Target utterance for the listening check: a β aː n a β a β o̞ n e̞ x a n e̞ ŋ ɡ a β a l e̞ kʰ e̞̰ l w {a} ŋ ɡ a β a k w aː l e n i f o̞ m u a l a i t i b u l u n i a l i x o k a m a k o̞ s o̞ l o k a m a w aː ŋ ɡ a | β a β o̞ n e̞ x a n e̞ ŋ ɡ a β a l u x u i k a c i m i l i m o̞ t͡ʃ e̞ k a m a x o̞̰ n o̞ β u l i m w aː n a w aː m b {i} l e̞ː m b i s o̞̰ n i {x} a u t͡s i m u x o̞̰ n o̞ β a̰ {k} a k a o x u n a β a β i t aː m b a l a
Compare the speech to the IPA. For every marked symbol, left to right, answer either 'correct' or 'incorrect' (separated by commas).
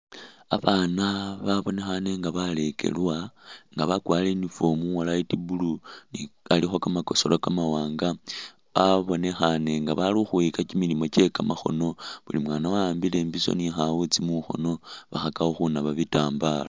correct, correct, correct, incorrect